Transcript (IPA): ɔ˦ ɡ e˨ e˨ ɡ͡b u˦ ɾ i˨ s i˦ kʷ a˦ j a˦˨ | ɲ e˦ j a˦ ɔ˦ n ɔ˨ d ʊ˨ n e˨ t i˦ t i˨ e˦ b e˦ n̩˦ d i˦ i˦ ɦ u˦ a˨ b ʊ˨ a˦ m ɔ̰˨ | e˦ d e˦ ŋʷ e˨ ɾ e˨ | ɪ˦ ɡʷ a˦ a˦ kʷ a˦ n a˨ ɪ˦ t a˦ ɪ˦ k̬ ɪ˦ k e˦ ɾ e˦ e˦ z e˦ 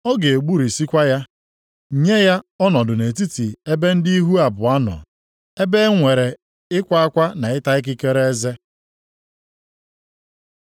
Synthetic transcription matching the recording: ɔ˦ ɡ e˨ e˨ ɡ͡b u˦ ɾ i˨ s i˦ kʷ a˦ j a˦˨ | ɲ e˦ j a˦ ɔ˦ n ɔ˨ d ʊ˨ n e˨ t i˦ t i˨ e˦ b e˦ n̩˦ d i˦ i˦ ɦ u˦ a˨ b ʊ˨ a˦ n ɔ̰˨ | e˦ b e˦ ŋʷ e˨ ɾ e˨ | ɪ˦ kʷ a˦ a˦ kʷ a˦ n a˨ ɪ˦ t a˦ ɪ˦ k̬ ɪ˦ k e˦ ɾ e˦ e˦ z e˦